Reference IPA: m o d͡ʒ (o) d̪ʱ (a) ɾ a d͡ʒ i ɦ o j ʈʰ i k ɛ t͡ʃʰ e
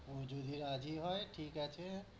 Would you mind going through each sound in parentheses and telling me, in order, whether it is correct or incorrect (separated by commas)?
incorrect, incorrect